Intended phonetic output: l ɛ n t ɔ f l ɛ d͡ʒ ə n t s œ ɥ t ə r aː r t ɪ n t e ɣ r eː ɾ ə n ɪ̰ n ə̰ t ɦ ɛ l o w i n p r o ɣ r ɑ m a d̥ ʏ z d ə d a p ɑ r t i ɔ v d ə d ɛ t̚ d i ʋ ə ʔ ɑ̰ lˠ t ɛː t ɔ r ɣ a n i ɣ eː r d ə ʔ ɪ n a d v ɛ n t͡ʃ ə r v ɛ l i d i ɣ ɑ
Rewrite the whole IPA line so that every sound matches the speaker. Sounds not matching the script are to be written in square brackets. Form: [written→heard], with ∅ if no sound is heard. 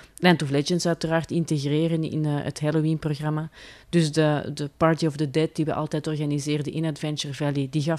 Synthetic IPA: l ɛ n t ɔ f l ɛ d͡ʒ ə n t s œ ɥ t ə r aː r t ɪ n t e ɣ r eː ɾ ə n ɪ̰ n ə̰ t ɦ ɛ l o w i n p r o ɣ r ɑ m a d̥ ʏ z d ə d [a→ə] p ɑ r t i ɔ v d ə d ɛ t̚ d i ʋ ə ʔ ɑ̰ lˠ t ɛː t ɔ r ɣ a n i [ɣ→z] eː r d ə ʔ ɪ n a d v ɛ n t͡ʃ ə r v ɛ l i d i ɣ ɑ